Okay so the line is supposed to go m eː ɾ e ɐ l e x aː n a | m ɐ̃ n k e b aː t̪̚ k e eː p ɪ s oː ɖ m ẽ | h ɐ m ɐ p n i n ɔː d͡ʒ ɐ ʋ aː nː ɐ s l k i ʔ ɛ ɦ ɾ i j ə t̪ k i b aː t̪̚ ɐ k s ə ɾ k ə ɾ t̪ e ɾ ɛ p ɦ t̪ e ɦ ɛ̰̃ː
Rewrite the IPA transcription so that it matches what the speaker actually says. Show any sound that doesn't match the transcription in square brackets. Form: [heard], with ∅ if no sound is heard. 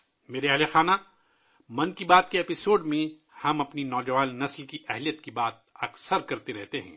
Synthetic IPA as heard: m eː ɾ e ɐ l e x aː n a | m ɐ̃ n k [i] b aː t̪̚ k e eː p ɪ s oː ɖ m ẽ | h ɐ m ɐ p n i n ɔː d͡ʒ ɐ ʋ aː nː ɐ s l k i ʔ ɛ ɦ [l] i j ə t̪ k i b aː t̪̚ ɐ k s ə ɾ k [ɐ] ɾ t̪ e ɾ ɛ [∅] ɦ t̪ e ɦ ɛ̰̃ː